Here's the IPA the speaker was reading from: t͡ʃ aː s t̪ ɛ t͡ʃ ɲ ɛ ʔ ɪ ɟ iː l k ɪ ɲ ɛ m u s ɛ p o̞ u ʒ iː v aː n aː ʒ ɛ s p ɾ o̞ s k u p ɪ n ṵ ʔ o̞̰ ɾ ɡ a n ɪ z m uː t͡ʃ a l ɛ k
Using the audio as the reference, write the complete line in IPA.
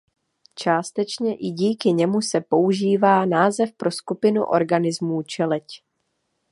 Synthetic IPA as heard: t͡ʃ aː s t̪ ɛ t͡ʃ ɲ ɛ ʔ ɪ ɟ iː k ɪ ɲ ɛ m u s ɛ p o̞ u ʒ iː v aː n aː z ɛ f p ɾ o̞ s k u p ɪ n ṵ ʔ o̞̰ ɾ ɡ a n ɪ z m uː t͡ʃ ɛ l ɛ c